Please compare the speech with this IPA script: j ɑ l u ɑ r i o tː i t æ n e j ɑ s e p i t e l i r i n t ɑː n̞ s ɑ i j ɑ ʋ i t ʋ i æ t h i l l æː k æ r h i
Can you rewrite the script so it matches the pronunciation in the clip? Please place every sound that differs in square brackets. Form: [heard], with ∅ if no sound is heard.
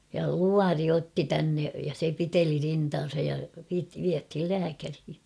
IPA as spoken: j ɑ l u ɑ r i o tː i t æ [nː] e j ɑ s e p i t e l i r i n t ɑː n̞ s ɑ [j] j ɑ ʋ i t ʋ i æ t h i l l æː k æ r h i